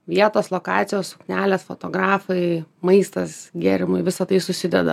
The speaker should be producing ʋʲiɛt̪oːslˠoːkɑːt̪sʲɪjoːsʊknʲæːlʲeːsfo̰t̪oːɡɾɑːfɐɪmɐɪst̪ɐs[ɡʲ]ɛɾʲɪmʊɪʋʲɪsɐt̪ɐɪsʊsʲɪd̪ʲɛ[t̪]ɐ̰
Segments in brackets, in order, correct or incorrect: correct, incorrect

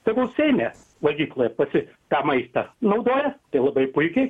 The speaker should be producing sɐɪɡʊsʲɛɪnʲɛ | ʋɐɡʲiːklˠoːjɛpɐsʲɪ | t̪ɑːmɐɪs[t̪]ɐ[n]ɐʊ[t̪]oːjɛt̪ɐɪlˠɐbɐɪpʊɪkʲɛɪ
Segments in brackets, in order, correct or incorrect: correct, correct, incorrect

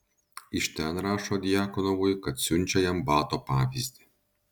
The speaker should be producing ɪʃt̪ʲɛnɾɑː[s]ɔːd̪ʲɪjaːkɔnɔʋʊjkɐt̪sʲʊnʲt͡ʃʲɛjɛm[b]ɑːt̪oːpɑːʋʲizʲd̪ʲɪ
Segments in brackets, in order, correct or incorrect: incorrect, correct

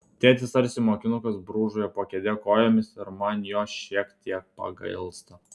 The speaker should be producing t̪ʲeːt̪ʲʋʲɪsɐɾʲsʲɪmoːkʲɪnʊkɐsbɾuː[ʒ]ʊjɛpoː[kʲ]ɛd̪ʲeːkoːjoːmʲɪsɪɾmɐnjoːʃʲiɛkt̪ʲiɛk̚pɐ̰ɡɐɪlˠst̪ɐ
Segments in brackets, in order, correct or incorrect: correct, correct

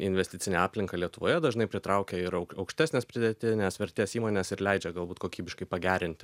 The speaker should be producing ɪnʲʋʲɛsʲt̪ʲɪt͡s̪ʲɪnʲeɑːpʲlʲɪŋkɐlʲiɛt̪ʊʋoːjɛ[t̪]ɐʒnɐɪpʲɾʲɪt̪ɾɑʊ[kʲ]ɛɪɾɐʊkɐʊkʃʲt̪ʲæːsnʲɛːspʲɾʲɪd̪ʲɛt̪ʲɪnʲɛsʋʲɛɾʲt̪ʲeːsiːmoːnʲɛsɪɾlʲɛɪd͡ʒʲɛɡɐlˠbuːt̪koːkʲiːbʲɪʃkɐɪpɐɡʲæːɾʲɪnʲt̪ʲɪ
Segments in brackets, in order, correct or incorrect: incorrect, correct

